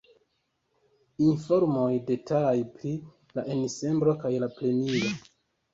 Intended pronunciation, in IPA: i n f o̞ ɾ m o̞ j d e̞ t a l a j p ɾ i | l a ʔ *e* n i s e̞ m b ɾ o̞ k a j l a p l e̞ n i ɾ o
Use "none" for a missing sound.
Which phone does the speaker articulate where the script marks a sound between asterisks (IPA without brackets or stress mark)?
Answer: e